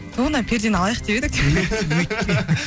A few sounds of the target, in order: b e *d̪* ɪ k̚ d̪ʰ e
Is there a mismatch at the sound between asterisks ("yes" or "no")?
no